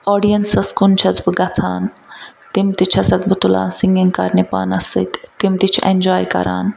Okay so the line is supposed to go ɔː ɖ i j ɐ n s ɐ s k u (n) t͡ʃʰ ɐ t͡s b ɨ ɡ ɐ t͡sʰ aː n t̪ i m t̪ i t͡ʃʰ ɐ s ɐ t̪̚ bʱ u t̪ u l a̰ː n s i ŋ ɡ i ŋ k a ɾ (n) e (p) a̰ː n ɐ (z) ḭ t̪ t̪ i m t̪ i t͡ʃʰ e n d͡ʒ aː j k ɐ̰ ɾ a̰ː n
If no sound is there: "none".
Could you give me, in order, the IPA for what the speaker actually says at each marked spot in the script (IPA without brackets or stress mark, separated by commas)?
n, n, p, s